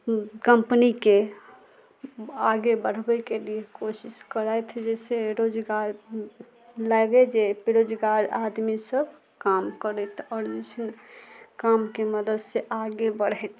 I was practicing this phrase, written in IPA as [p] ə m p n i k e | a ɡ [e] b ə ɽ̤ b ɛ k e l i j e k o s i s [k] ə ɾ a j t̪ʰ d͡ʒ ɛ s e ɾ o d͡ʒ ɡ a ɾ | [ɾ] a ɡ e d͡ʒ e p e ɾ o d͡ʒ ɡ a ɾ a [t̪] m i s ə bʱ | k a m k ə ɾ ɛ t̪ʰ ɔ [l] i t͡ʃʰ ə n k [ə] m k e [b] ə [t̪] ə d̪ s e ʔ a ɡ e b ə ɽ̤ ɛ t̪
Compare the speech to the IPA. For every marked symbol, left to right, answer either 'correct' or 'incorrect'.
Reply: incorrect, correct, correct, incorrect, incorrect, incorrect, incorrect, incorrect, incorrect

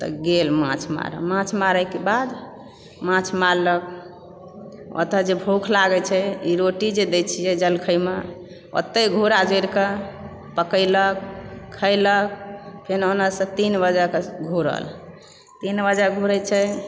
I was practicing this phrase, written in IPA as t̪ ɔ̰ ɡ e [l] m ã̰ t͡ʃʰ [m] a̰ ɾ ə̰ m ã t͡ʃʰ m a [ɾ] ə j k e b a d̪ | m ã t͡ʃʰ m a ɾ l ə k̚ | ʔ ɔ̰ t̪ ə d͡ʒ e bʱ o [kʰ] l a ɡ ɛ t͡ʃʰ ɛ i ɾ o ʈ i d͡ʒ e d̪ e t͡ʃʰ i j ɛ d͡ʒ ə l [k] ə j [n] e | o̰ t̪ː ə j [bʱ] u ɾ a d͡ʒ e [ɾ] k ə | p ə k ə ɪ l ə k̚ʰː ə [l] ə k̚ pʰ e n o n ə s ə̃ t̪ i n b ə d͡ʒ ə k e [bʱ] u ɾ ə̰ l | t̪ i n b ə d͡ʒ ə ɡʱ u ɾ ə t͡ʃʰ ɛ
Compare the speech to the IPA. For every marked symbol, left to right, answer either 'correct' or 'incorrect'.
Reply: correct, correct, correct, correct, incorrect, incorrect, incorrect, correct, correct, incorrect

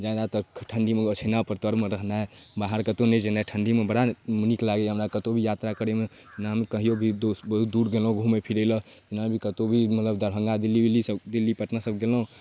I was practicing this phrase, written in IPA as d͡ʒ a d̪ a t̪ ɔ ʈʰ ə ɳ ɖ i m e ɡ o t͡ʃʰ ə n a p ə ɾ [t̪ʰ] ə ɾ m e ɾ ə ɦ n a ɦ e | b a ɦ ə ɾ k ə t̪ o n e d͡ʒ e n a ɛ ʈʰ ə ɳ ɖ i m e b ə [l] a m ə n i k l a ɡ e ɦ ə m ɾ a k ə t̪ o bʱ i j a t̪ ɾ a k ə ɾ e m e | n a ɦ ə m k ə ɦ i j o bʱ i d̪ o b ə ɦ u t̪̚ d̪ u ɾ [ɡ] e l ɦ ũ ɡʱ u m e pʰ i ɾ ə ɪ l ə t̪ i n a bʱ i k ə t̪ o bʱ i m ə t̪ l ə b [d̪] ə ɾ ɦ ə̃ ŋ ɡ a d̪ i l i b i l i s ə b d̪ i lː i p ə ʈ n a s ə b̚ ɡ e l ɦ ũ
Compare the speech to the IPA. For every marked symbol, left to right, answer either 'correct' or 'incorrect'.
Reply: incorrect, incorrect, correct, correct

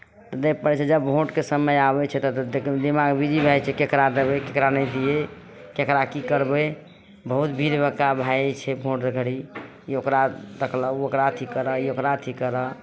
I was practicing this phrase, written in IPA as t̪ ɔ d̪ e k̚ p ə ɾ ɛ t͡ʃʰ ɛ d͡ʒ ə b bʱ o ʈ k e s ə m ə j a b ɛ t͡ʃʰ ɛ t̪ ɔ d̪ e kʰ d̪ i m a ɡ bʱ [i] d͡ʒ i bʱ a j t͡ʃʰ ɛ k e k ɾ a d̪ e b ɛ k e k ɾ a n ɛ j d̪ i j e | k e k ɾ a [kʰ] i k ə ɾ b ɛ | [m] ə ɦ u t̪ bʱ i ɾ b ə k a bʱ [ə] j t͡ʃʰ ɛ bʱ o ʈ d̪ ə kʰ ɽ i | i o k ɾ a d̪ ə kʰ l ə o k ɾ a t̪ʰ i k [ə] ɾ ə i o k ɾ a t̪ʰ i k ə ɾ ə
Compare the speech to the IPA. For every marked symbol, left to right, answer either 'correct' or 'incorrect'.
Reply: correct, incorrect, incorrect, incorrect, correct

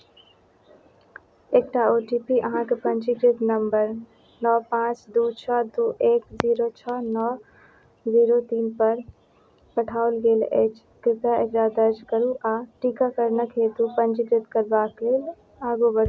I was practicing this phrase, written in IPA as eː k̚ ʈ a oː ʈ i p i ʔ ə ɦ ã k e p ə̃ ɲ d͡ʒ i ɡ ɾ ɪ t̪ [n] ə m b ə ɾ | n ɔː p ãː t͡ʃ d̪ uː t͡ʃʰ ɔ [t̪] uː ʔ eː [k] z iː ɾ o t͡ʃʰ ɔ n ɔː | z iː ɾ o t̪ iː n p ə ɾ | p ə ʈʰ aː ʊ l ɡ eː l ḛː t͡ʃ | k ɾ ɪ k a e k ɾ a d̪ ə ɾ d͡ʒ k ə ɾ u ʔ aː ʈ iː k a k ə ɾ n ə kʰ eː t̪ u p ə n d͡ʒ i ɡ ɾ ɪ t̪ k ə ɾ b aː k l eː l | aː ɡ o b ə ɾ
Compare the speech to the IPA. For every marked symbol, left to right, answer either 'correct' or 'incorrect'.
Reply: correct, incorrect, correct

